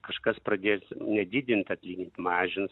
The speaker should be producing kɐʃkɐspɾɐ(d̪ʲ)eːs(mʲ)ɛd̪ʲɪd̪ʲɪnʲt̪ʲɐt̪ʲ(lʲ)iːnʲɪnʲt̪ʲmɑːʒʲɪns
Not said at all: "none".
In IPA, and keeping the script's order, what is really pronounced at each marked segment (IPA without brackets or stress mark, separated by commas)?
d̪ʲ, nʲ, lʲ